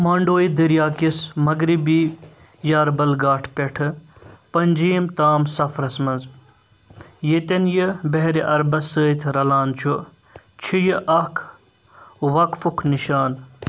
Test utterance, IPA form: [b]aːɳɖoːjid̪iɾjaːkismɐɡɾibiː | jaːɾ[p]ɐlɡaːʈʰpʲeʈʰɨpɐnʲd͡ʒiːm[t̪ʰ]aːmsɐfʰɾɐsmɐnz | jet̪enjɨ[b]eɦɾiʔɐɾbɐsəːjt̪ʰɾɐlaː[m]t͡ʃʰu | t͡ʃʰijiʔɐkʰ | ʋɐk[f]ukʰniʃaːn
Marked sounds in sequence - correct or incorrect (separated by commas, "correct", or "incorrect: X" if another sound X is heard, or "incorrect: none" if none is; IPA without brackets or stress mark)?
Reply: incorrect: m, incorrect: b, incorrect: t̪, correct, incorrect: n, correct